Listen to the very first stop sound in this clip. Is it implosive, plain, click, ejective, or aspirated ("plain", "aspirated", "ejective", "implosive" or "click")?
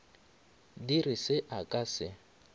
plain